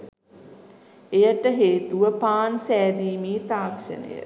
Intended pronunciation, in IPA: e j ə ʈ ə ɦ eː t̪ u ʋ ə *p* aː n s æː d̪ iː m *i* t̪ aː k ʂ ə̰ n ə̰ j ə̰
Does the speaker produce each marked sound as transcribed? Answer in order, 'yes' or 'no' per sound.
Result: yes, no

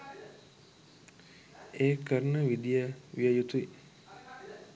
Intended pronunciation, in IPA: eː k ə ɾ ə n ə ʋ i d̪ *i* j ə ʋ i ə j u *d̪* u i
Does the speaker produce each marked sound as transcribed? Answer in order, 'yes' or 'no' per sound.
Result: yes, no

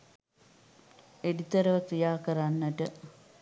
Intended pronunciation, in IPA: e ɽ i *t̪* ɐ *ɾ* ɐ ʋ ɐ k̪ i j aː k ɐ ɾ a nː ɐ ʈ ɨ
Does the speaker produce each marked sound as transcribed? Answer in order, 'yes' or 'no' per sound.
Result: yes, yes

